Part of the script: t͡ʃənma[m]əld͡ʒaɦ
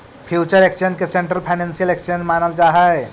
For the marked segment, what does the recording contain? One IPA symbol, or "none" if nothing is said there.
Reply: n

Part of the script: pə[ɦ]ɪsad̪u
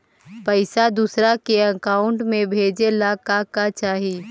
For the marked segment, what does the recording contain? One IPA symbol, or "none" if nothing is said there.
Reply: none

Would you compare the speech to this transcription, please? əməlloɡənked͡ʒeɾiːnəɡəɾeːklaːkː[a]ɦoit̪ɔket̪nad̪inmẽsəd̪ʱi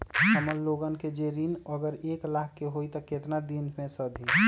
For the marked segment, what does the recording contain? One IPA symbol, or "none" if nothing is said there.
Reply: e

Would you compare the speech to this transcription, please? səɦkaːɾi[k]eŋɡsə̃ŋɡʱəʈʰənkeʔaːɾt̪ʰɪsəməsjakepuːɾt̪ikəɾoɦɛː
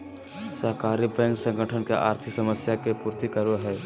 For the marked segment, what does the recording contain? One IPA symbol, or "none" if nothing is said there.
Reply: p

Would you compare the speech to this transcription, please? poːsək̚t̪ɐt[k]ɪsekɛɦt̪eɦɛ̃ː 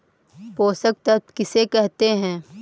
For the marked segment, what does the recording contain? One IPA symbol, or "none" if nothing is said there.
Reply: k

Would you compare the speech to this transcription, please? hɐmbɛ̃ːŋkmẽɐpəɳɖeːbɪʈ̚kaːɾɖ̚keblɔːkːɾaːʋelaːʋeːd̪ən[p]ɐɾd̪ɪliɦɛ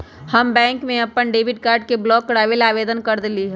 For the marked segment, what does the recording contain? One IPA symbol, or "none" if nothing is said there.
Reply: k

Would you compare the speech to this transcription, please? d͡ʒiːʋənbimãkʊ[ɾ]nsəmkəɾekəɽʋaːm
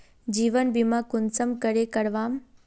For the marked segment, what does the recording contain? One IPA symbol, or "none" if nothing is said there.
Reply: none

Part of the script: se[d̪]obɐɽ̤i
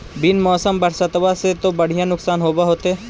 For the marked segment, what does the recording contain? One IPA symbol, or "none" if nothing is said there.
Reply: t̪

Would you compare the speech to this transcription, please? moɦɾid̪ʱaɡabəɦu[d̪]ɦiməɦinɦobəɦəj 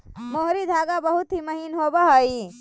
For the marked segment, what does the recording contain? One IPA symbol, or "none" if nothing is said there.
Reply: t̪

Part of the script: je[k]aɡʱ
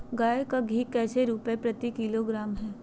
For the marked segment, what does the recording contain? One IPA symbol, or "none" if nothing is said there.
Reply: k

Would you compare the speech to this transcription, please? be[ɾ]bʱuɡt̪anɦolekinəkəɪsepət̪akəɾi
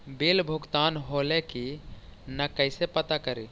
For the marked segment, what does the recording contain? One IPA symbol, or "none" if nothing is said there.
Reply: l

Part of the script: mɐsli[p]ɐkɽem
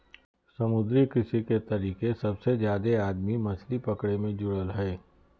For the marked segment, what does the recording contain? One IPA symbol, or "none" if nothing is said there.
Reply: p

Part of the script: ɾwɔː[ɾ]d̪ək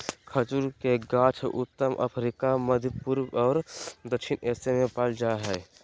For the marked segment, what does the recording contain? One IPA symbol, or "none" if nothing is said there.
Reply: ɾ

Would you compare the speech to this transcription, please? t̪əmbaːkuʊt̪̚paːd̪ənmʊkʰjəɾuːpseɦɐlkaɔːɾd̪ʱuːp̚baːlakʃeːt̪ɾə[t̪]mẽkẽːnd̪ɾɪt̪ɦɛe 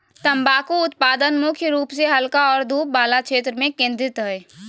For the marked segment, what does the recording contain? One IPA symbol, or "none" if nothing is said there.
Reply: none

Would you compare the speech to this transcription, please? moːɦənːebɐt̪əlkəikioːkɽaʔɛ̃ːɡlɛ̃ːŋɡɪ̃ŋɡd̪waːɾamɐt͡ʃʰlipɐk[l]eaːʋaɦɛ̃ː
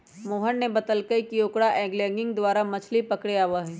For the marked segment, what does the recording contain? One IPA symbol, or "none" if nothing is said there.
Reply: ɽ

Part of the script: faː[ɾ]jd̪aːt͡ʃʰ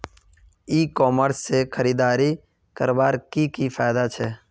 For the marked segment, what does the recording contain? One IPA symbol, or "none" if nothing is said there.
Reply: none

